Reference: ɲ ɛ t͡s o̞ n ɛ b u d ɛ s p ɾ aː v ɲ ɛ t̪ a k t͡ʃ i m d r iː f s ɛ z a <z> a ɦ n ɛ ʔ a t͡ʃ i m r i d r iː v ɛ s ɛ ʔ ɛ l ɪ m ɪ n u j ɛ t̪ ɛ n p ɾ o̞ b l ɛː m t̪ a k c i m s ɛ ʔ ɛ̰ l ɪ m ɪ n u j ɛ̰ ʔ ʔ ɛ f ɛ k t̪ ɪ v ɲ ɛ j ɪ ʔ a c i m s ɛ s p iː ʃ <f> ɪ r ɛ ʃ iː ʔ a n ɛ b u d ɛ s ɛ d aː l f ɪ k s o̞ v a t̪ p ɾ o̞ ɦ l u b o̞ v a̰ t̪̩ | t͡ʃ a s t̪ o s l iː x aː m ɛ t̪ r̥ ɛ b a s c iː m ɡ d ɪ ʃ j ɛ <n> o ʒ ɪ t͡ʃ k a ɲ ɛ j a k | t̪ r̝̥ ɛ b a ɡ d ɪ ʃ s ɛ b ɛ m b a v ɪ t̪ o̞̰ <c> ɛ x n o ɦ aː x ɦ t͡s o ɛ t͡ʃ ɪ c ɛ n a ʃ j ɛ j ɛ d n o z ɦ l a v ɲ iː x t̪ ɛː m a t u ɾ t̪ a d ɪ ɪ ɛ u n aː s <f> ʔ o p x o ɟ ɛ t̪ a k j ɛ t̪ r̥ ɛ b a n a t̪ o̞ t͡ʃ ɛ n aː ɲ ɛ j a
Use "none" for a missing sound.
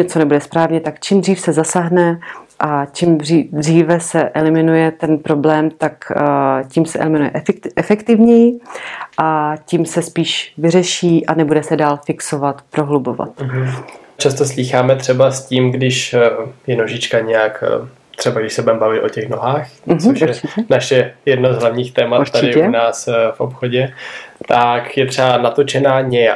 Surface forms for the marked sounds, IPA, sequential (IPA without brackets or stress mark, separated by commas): s, v, n, c, f